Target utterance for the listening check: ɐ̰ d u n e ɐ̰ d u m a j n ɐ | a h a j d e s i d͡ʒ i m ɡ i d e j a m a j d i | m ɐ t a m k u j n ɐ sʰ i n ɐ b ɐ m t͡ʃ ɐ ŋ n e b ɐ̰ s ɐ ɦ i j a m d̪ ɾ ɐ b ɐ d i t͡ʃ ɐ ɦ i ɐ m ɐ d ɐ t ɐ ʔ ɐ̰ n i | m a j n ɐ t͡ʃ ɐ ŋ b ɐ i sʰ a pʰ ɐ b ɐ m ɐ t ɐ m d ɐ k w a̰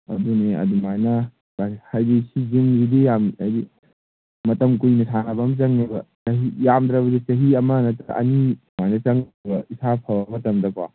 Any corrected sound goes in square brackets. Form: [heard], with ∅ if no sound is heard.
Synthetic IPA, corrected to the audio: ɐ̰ d u n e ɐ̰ d u m a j n ɐ | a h a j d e s i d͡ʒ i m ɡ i d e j a m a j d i | m ɐ t [ɐ] m k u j n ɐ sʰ [a] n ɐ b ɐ m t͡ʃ ɐ ŋ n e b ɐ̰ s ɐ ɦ i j a m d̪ ɾ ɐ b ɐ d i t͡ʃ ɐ ɦ i ɐ m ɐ [n] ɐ t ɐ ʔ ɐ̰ n i | m a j n ɐ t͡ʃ ɐ ŋ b ɐ i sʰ a pʰ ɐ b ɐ m ɐ t ɐ m d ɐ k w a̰

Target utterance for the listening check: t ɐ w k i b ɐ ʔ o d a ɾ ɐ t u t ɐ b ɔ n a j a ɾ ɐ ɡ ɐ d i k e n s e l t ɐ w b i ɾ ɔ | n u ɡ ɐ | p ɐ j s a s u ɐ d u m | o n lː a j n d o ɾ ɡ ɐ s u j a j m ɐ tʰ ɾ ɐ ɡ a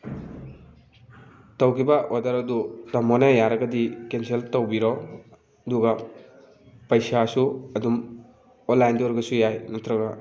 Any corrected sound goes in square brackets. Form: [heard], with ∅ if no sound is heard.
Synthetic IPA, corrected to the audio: t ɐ w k i b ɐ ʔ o d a ɾ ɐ [d] u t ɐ [m] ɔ n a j a ɾ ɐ ɡ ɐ d i k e n s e l t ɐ w b i ɾ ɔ | [d] u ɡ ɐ | p ɐ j s a s u ɐ d u m | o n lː a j n d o ɾ ɡ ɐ s u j a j [n] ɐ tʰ ɾ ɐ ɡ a

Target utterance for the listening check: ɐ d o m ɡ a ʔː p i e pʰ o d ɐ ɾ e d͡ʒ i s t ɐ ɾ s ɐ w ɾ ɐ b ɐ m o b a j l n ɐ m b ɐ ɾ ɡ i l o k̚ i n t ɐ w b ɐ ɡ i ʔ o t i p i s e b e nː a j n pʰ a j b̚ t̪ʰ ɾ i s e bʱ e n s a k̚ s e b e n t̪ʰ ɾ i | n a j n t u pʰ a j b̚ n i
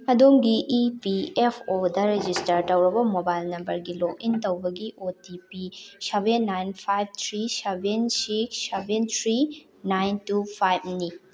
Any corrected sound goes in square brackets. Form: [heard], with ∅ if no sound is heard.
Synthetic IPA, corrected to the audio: ɐ d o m ɡ [i] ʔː p i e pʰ o d ɐ ɾ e d͡ʒ i s t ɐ ɾ [t] ɐ w ɾ ɐ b ɐ m o b a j l n ɐ m b ɐ ɾ ɡ i l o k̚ i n t ɐ w b ɐ ɡ i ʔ o t i p i s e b e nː a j n pʰ a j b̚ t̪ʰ ɾ i s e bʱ e n s [i] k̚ s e b e n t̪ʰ ɾ i | n a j n t u pʰ a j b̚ n i

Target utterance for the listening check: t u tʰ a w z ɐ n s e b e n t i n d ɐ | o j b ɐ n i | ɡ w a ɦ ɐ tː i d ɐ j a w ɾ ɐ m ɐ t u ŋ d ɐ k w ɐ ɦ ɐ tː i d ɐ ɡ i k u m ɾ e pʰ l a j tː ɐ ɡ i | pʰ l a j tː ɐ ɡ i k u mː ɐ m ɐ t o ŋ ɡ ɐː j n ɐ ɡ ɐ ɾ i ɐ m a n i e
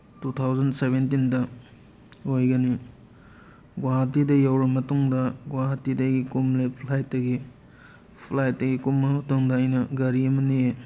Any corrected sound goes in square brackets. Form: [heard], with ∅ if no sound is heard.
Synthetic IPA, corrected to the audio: t u tʰ a w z ɐ n s e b e n t i n d ɐ | o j [ɡ] ɐ n i | ɡ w a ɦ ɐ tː i d ɐ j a w ɾ ɐ m ɐ t u ŋ d ɐ [ɡ] w [a] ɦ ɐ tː i d ɐ ɡ i k u m [l] e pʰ l a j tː ɐ ɡ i | pʰ l a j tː ɐ ɡ i k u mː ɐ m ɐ t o ŋ [d] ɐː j n ɐ ɡ ɐ ɾ i ɐ m [ɐ] n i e

